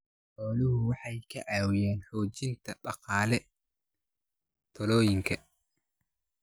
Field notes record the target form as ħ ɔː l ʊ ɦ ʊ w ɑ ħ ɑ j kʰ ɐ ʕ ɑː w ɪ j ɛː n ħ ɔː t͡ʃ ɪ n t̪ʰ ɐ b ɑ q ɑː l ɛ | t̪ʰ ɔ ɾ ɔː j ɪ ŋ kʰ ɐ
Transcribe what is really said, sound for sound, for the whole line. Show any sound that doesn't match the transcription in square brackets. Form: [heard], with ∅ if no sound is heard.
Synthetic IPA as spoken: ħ ɔː l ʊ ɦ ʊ w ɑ ħ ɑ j kʰ ɐ ʕ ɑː w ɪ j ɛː n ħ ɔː t͡ʃ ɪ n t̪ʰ ɐ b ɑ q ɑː l ɛ | t̪ʰ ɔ [l] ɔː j ɪ ŋ kʰ ɐ